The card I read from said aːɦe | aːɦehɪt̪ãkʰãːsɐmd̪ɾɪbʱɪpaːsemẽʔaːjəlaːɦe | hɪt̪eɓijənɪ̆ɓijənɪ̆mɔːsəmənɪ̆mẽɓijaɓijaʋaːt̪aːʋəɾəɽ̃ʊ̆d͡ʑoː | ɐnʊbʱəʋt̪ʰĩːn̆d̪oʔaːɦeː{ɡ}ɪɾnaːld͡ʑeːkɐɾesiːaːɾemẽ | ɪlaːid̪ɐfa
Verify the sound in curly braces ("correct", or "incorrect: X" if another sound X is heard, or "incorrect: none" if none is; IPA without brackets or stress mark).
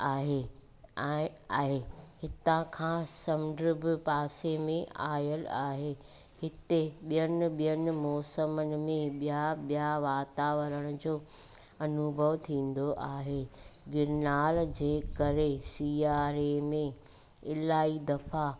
correct